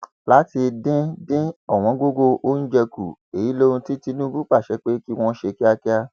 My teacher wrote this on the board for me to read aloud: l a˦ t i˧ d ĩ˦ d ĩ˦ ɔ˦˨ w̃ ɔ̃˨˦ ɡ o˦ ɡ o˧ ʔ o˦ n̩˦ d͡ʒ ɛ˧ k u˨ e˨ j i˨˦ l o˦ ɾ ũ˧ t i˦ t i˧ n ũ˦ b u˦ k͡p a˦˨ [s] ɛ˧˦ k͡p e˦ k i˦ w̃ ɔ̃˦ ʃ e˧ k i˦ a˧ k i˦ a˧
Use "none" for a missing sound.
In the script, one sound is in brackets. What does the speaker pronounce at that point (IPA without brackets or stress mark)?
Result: ʃ